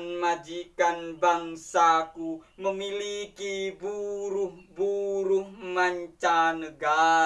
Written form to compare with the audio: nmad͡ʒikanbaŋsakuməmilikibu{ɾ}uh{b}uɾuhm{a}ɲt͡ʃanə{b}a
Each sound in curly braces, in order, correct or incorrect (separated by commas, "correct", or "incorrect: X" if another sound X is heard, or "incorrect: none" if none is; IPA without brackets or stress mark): correct, correct, correct, incorrect: ɡ